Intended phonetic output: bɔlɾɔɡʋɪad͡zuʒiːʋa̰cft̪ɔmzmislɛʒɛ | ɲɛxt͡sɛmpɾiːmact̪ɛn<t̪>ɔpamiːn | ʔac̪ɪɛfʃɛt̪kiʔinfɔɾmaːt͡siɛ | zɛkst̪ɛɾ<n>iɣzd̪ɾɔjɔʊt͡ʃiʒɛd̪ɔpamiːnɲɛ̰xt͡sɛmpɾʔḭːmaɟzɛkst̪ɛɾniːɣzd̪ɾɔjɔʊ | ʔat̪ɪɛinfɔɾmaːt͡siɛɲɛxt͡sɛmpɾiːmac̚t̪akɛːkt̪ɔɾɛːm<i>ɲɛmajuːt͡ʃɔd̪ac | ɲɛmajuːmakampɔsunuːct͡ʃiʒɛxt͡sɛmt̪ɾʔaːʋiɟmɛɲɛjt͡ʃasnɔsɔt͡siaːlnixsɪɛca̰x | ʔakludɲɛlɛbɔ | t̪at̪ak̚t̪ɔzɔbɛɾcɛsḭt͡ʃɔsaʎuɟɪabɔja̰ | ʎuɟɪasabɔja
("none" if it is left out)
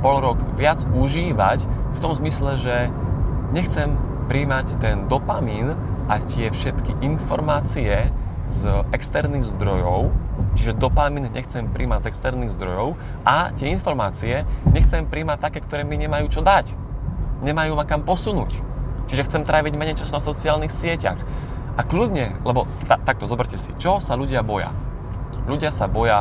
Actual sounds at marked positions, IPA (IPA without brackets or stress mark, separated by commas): d̪, n, i